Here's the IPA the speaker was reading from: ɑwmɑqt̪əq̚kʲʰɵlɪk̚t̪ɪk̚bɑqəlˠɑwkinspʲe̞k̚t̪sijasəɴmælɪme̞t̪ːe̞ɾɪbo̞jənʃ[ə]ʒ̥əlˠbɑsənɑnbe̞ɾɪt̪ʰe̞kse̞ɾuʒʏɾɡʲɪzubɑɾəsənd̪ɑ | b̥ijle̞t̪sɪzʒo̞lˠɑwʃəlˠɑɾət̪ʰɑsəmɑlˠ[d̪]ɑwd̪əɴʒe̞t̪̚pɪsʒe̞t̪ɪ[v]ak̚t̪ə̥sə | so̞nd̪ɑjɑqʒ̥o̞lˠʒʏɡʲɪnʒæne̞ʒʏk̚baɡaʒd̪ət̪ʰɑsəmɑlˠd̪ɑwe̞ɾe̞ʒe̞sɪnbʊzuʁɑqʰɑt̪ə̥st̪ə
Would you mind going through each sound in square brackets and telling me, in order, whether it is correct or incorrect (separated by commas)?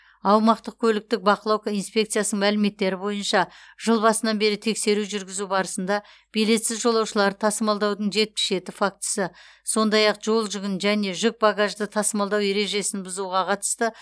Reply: incorrect, correct, incorrect